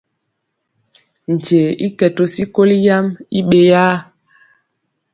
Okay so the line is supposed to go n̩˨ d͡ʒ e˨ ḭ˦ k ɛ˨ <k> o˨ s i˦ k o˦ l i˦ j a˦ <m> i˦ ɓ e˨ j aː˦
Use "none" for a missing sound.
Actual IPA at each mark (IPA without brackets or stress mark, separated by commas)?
t, m